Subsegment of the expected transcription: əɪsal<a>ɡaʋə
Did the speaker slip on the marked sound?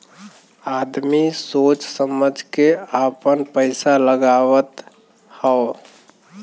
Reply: yes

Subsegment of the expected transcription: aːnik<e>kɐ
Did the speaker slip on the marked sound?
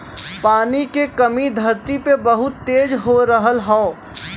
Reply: no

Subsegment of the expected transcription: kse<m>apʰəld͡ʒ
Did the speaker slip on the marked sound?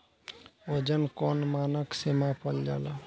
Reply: no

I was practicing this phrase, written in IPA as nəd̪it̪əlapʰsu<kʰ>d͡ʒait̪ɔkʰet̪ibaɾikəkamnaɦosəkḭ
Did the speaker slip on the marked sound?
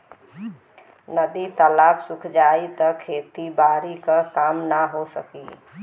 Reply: no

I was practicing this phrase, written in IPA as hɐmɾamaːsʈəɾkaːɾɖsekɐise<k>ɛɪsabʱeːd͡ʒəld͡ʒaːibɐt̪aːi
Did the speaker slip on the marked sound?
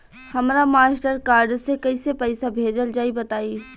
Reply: yes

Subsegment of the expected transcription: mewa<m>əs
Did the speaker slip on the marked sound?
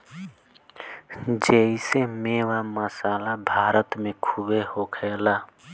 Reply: no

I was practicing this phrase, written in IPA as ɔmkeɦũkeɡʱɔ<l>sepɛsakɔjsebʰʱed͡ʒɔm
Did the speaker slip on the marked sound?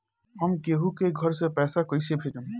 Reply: yes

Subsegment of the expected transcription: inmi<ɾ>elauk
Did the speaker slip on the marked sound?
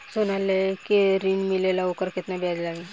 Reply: yes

